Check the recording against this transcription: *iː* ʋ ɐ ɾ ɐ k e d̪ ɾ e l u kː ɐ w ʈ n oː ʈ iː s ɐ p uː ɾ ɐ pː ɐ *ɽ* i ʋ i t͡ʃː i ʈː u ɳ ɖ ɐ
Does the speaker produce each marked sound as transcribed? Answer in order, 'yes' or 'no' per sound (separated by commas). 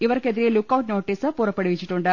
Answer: no, yes